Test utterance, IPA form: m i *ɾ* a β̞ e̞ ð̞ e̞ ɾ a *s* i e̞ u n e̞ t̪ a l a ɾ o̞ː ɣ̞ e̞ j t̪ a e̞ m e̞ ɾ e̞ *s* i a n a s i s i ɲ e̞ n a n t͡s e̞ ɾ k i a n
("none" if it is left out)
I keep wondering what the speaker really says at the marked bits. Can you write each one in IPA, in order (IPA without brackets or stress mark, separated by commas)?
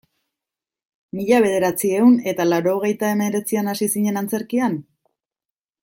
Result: ʎ, t͡s, t͡s